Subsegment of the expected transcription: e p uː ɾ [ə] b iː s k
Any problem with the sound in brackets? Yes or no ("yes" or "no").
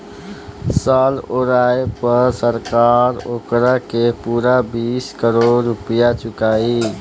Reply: yes